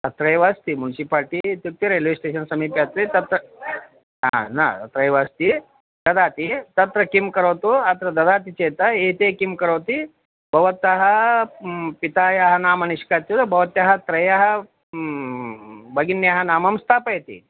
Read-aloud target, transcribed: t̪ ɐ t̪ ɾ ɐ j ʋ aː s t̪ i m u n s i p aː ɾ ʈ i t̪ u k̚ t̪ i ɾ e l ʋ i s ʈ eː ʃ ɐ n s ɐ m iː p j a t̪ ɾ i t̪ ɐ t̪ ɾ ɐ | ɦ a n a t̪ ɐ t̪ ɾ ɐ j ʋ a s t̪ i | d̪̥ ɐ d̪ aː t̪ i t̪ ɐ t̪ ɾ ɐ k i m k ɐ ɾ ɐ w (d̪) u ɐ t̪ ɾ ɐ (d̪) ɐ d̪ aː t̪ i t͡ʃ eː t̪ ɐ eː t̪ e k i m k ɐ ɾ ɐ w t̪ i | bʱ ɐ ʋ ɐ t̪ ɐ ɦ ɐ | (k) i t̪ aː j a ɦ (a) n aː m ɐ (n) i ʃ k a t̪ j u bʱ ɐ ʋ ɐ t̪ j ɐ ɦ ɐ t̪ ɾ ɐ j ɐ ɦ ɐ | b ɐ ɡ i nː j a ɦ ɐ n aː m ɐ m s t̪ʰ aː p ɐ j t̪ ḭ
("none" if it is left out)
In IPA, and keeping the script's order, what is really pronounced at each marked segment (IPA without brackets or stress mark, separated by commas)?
t̪, d̪, p, ɐ, n